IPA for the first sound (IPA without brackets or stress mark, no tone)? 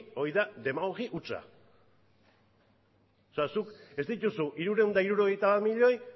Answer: o̞